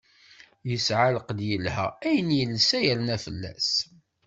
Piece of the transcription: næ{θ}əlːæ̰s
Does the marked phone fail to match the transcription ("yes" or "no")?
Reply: yes